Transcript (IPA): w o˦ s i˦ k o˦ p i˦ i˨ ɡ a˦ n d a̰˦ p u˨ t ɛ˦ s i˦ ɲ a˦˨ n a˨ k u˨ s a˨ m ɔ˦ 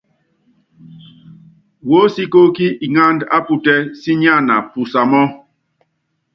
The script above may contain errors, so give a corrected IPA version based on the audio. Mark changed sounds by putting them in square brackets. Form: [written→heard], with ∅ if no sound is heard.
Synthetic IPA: w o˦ s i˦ k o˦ [p→k] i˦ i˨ [ɡ→ŋ] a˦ n d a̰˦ p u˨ t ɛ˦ s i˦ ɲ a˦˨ n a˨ [k→p] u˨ s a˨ m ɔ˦